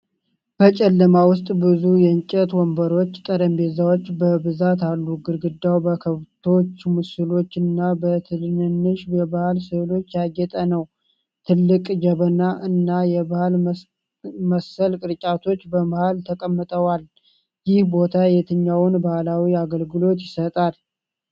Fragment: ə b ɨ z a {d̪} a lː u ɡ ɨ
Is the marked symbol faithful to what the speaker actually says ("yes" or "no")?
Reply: no